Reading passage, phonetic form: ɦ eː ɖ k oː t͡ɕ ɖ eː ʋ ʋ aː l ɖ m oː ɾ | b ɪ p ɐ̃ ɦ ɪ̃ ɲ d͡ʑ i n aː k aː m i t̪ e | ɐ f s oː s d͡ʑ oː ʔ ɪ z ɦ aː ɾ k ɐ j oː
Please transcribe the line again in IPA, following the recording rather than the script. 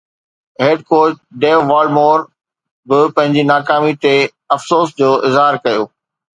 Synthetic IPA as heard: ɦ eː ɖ k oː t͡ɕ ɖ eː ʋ ʋ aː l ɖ m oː ɾ | b ɪ p ɐ̃ ɦ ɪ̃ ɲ d͡ʑ i n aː k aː m i t̪ e | ɐ f s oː s d͡ʑ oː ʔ ɪ z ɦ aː ɾ k ɐ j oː